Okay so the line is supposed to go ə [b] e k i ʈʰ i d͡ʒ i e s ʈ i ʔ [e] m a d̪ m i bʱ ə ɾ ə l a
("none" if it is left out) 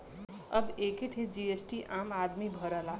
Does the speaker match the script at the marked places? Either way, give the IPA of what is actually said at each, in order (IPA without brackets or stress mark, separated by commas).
b, a